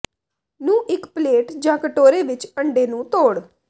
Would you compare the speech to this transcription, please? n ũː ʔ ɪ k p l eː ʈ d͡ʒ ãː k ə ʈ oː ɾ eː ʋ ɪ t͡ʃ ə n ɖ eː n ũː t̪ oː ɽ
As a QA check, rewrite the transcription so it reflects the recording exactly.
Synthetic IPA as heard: n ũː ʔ ɪ k p l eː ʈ d͡ʒ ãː k ə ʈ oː ɾ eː ʋ ɪ t͡ʃ ə ɳ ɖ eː n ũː t̪ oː ɽ